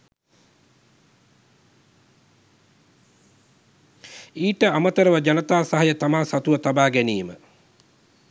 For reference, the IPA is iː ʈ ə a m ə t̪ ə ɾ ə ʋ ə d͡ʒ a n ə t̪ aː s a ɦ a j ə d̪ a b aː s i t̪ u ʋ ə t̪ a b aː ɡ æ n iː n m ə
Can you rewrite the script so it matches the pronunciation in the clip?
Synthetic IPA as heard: iː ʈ ə a m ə t̪ ə ɾ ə ʋ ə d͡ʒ a n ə t̪ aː s a ɦ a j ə t̪ a m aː s a t̪ u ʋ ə t̪ a b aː ɡ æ n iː m ə